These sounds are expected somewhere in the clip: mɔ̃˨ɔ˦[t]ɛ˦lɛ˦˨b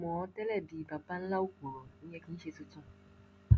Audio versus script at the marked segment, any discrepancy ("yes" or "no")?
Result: no